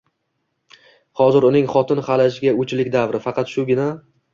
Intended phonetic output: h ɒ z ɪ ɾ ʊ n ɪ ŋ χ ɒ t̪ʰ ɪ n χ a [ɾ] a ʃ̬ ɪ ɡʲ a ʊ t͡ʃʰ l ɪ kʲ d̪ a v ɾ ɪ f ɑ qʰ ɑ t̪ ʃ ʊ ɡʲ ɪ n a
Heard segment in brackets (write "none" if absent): l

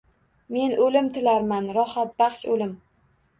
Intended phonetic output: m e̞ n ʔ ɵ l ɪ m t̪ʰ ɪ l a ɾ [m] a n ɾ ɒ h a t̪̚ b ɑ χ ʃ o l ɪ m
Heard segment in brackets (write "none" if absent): m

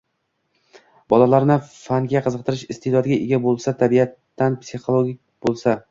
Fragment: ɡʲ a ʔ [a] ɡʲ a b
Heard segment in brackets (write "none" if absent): e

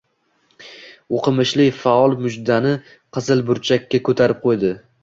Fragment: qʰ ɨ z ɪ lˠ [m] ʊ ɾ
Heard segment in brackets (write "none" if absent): b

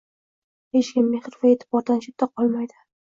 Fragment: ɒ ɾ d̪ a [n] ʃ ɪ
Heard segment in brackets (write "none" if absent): n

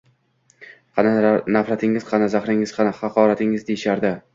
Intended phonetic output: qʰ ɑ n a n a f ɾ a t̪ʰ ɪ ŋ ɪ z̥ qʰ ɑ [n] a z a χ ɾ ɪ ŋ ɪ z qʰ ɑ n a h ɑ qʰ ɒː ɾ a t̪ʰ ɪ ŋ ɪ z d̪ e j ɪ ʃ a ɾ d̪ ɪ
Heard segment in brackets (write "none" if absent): n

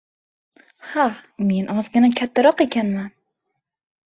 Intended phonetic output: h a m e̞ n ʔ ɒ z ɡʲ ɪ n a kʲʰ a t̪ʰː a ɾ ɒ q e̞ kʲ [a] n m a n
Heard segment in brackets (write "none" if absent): a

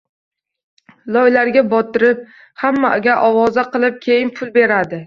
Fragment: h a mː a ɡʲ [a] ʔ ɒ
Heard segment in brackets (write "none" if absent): a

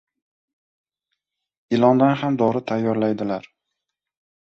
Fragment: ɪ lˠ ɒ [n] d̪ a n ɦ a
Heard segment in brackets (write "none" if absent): n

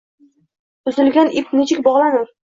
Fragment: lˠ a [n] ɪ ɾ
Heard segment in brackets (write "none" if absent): n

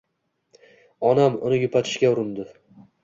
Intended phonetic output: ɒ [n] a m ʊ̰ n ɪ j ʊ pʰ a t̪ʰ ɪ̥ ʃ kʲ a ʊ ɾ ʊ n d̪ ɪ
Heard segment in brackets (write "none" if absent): n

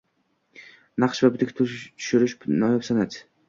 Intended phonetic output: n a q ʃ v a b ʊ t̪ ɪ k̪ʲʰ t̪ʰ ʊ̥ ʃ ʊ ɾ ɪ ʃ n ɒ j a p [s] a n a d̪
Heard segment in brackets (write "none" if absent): s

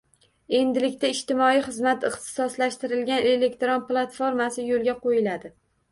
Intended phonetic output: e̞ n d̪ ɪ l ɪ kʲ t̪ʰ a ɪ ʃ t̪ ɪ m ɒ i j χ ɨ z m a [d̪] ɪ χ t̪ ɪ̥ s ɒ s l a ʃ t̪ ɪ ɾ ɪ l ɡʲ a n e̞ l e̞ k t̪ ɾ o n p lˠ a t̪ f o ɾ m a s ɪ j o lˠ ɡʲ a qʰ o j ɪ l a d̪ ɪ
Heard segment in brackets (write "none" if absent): t̪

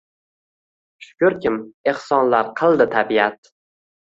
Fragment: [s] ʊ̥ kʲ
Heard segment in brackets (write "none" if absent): ʃ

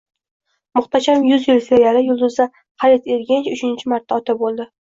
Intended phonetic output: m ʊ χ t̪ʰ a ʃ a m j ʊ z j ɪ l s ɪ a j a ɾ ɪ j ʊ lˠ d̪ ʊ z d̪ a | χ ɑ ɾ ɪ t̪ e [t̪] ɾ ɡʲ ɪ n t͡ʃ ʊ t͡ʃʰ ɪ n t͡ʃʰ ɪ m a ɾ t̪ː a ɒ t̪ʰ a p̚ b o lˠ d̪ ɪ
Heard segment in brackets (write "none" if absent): none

